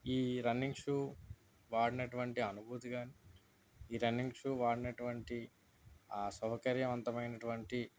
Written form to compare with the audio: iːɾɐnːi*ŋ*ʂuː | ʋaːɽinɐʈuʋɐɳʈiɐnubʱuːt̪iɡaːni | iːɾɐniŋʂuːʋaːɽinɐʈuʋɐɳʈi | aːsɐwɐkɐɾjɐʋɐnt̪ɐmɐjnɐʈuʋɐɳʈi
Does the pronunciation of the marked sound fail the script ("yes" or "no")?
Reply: no